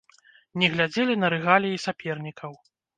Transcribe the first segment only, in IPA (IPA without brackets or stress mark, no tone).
nʲ